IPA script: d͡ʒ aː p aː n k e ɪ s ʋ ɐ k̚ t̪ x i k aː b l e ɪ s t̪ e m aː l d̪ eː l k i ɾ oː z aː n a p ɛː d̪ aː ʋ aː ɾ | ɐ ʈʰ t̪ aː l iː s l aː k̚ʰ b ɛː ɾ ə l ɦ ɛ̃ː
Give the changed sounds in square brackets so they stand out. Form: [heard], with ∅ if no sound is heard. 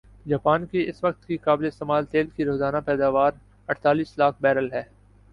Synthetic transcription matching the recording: d͡ʒ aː p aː n k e ɪ s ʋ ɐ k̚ t̪ [k] i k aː b l e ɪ s t̪ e m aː l [t̪] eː l k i ɾ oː z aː n a p ɛː d̪ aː ʋ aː ɾ | ɐ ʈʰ t̪ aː l iː s l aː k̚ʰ b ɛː ɾ ə l ɦ [ɛː]